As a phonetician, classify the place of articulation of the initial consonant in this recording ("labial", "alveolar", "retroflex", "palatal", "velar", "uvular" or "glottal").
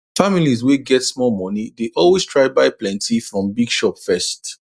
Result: labial